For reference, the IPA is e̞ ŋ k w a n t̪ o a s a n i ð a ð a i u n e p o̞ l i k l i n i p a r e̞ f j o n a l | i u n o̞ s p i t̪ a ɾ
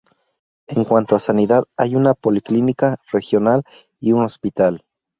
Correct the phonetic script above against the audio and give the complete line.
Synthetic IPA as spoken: e̞ ŋ k w a n t̪ o a s a n i ð a ð a j u n a p o̞ l i k l i n i k a r e̞ x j o n a l | i u n o̞ s p i t̪ a l